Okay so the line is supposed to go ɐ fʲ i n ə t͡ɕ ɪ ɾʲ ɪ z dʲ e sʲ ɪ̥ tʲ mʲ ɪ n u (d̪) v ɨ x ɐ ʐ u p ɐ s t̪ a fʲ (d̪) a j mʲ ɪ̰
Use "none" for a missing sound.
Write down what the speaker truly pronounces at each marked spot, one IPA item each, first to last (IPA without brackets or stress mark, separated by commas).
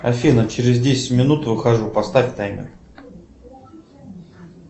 t̪, t̪